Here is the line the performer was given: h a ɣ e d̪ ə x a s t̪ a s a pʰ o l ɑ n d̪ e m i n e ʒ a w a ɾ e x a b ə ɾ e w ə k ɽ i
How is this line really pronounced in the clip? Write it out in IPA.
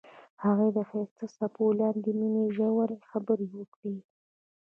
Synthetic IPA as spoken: h a ɣ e d̪ ə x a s t̪ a s a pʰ o l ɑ n d̪ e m i n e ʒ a w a ɾ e x a b ə ɾ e w ə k ɽ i